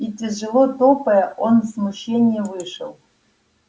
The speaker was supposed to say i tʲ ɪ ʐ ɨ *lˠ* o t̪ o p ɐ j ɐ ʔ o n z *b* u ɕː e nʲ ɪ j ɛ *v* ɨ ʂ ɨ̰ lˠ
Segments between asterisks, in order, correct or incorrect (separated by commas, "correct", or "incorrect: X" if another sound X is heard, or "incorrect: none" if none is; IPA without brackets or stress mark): correct, incorrect: m, correct